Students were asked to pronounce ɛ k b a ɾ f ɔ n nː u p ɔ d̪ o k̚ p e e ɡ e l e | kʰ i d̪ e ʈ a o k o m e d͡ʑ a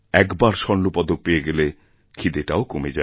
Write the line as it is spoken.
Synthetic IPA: ɛ k b a ɾ ʃ ɔ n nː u p ɔ d̪ o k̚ p e e ɡ e l e | kʰ i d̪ e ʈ a o k o m e d͡ʑ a